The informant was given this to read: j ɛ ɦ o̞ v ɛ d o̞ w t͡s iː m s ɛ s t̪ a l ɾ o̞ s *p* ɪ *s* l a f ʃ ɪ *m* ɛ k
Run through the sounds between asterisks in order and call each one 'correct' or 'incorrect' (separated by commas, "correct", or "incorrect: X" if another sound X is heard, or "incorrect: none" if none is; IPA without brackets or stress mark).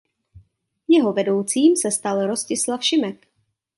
incorrect: c, correct, correct